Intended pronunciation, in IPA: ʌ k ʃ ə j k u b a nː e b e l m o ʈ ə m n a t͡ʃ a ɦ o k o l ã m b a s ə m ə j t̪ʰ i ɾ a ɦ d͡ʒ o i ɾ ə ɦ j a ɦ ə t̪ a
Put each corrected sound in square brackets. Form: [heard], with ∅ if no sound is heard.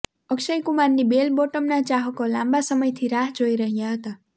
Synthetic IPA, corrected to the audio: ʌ k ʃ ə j k u [m] a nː [i] b e l [b] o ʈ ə m n a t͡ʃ a ɦ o k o l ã m b a s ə m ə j t̪ʰ i ɾ a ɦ d͡ʒ o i ɾ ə ɦ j a ɦ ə t̪ a